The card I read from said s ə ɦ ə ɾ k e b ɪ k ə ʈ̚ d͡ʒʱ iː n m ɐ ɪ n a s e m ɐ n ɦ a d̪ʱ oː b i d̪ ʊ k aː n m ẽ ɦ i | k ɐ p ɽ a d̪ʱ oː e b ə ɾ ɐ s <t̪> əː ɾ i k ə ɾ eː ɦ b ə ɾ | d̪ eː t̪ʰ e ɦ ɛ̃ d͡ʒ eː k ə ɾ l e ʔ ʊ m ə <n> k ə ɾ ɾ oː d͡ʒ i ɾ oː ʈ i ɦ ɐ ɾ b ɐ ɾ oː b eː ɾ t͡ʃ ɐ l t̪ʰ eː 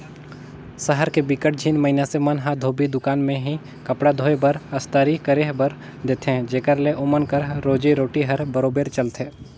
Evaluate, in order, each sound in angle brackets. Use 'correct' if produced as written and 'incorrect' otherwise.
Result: correct, correct

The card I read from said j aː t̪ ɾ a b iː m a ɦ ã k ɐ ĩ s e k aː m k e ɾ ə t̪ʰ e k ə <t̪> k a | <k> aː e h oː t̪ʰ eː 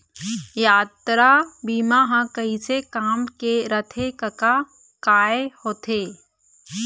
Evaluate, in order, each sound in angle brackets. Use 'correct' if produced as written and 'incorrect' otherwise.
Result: incorrect: none, correct

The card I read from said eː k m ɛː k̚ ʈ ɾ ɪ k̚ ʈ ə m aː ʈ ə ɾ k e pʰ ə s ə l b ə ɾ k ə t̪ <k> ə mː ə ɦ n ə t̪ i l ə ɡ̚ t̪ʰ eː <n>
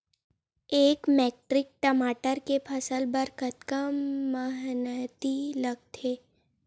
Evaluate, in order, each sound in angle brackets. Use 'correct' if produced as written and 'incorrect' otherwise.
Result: correct, incorrect: none

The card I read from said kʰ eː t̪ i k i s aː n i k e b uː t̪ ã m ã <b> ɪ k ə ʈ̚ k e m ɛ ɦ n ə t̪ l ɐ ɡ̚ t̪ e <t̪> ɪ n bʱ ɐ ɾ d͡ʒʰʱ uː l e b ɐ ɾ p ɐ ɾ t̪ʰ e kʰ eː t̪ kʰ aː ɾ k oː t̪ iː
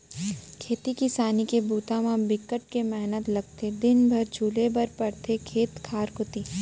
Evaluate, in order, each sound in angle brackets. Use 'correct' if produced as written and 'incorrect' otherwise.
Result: correct, incorrect: d̪

